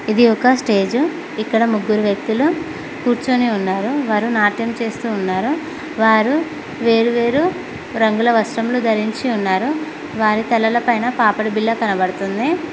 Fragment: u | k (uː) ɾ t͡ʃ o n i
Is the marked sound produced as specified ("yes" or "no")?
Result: yes